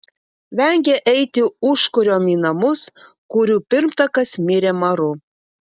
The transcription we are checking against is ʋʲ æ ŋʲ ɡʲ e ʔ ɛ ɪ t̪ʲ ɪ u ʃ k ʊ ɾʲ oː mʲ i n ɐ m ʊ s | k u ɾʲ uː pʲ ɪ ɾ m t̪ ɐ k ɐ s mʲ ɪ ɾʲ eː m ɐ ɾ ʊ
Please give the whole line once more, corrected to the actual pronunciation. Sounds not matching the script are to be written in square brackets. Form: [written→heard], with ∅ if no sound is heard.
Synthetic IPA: ʋʲ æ ŋʲ ɡʲ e ʔ ɛ ɪ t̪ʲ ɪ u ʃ k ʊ ɾʲ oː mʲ i n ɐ m ʊ s | k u ɾʲ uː pʲ ɪ ɾ m t̪ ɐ k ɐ s mʲ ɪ ɾʲ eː m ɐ ɾ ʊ